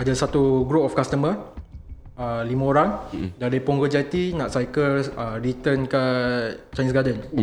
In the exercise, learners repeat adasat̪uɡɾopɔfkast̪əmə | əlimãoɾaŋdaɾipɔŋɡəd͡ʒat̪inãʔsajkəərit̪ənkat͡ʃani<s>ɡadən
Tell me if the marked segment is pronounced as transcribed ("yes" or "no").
yes